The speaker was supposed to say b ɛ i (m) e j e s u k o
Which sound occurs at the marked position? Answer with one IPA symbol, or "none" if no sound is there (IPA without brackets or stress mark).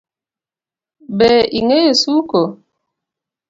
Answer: ŋ